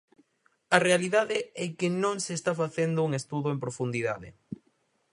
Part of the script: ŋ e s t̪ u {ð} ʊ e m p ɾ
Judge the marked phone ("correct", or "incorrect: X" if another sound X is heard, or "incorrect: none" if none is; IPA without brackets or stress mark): correct